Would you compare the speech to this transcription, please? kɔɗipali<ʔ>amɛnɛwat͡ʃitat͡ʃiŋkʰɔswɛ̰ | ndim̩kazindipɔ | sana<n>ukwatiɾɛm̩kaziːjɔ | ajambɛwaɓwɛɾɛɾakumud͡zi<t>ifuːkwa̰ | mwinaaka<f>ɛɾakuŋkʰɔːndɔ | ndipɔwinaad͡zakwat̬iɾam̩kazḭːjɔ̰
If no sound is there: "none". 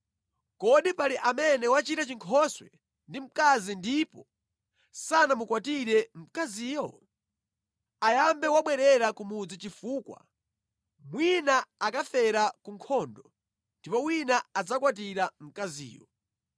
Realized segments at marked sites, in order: ʔ, m, t͡ʃ, f

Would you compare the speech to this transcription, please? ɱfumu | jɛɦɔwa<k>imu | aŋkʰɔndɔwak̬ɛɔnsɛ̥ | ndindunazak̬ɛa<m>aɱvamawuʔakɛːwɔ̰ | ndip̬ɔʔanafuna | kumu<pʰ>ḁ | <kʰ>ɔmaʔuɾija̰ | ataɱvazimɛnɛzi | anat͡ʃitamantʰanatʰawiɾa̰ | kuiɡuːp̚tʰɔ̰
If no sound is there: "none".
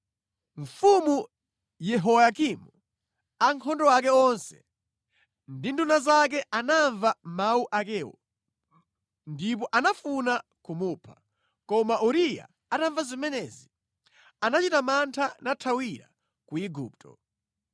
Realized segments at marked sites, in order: k, n, pʰ, k

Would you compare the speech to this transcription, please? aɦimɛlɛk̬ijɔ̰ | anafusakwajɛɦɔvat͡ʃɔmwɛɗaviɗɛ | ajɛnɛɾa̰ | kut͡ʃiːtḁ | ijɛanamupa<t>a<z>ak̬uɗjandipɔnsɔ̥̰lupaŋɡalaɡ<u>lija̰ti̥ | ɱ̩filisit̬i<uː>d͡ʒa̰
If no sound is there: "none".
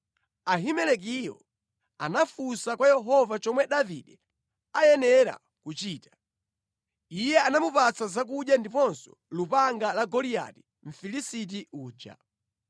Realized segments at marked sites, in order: t͡s, z, ɔ, uː

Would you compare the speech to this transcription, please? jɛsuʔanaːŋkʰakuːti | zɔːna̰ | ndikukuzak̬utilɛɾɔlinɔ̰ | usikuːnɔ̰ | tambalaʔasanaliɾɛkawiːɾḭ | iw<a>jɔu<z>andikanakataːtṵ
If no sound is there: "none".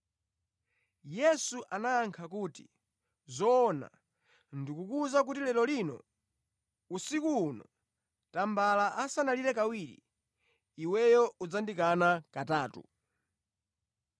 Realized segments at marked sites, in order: ɛ, d͡z

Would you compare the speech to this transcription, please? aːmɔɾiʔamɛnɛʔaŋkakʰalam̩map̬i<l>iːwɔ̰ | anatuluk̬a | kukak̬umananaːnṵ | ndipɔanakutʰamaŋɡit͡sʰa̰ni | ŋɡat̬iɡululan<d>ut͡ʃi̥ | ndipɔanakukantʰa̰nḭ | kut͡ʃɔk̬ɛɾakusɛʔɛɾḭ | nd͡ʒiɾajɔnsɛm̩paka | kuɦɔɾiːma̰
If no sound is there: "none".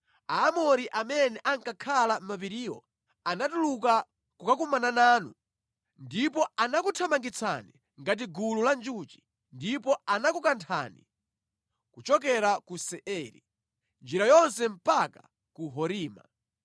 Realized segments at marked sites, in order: ɾ, d͡ʒ

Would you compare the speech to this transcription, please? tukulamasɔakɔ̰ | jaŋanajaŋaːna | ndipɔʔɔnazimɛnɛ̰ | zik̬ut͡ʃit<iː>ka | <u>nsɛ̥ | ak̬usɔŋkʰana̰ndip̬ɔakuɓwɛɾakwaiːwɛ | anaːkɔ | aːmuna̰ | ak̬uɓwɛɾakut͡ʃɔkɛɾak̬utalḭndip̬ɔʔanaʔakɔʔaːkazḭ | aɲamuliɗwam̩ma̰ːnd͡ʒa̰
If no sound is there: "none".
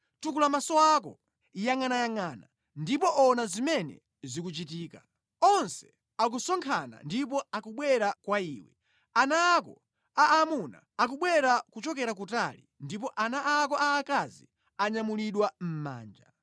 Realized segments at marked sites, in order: iː, ɔ

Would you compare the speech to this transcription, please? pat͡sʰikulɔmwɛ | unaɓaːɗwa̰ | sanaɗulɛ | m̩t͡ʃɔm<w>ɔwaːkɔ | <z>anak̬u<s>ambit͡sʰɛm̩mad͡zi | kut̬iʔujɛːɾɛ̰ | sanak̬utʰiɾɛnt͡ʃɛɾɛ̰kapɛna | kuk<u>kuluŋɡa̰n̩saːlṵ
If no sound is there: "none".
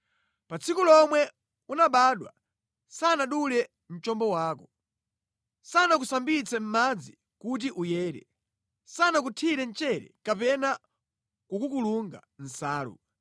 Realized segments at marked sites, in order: b, s, s, u

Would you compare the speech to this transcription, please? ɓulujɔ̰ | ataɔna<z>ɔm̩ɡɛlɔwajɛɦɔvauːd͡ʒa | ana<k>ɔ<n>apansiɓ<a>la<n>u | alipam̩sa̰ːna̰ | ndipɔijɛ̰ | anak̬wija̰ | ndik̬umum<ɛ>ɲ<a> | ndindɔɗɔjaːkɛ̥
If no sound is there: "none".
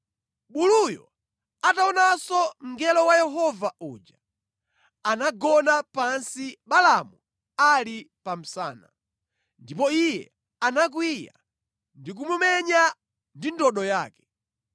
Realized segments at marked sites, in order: s, ɡ, n, a, m, ɛ, a

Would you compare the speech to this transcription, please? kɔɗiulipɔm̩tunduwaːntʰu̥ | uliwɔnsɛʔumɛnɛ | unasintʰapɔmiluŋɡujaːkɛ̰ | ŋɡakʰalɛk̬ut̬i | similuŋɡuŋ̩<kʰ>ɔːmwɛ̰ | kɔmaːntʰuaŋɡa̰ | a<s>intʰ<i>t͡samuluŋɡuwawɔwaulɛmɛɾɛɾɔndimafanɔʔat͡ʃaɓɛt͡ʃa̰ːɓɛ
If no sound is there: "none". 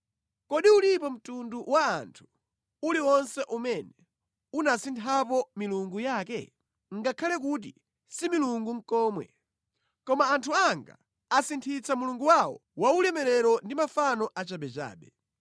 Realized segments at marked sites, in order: k, s, i

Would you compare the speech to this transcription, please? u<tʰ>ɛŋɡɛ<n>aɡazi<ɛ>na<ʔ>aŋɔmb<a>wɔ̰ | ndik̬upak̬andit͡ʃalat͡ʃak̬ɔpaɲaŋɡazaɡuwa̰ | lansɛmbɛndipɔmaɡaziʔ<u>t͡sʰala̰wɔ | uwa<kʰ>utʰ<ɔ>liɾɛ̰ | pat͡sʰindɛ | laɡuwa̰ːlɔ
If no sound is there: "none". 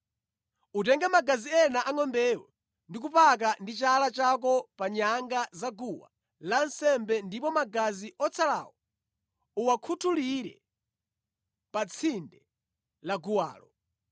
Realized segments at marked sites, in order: t, m, ɛ, ʔ, ɛ, ɔ, kʰ, u

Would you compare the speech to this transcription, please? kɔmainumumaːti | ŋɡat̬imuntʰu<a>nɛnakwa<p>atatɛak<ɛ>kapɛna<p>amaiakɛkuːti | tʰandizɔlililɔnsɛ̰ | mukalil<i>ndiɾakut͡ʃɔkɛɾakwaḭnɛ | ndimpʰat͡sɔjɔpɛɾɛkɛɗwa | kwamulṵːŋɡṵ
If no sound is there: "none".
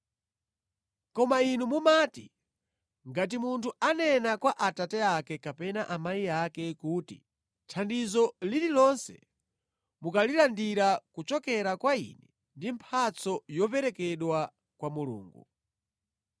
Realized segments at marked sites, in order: a, ʔ, ɛ, ʔ, a

